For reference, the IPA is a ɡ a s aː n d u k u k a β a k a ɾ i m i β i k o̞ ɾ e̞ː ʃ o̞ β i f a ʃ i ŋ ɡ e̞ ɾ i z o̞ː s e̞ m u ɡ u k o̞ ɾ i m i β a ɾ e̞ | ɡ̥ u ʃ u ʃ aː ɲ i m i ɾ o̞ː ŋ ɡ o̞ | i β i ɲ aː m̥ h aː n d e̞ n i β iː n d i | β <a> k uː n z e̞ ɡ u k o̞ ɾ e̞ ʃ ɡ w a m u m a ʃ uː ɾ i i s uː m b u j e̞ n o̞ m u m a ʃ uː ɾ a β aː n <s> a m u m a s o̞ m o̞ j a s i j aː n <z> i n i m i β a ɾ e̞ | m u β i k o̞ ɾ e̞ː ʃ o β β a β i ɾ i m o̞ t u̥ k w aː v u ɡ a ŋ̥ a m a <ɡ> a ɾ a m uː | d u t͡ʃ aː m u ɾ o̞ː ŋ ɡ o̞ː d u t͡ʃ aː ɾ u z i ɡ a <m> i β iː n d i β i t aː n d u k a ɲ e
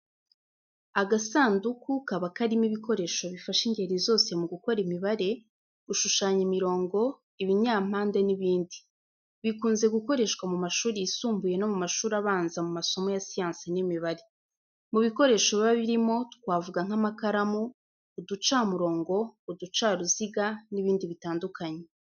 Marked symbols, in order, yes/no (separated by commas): no, no, no, no, no